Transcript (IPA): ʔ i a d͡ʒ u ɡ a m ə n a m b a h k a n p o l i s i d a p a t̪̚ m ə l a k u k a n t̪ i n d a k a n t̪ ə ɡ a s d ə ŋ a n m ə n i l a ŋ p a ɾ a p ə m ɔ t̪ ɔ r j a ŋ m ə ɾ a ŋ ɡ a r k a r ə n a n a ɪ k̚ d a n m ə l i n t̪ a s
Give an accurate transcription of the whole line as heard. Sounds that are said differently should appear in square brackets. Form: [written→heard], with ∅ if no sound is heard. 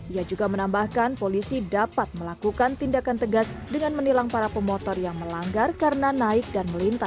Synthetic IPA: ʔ i a d͡ʒ u ɡ a m ə n a m b a h k a n p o l i s i d a p a t̪̚ m ə l a k u k a n t̪ i n d a k a n t̪ ə ɡ a s d ə ŋ a n m ə n i l a ŋ p a ɾ a p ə m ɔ t̪ ɔ r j a ŋ m ə [ɾ→l] a ŋ ɡ a r k a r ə n a n a ɪ k̚ d a n m ə l i n t̪ a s